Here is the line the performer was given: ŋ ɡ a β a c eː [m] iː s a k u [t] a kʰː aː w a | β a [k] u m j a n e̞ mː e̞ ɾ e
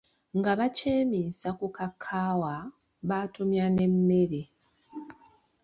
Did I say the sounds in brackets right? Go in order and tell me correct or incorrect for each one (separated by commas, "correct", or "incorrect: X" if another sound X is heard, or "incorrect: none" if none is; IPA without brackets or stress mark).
correct, incorrect: k, incorrect: t